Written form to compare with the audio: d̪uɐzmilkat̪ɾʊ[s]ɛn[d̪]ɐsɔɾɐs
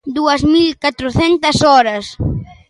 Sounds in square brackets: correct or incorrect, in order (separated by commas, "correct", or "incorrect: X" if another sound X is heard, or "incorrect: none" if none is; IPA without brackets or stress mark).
incorrect: θ, incorrect: t̪